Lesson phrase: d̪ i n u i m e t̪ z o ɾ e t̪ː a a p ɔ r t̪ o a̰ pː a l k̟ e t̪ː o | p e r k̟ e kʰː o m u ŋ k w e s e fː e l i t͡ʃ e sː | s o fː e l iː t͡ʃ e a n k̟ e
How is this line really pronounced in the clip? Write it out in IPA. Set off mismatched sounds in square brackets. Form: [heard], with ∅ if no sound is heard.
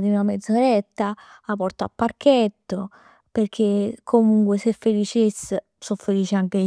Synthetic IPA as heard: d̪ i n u [a] m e [d̪] z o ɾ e t̪ː a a p ɔ r t̪ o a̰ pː a [r] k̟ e t̪ː o | p e r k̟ e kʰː o m u ŋ k w e s e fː e l i t͡ʃ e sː | s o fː e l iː t͡ʃ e a [ŋ] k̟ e